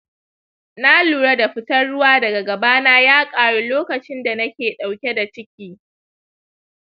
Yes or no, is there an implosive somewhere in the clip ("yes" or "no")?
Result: yes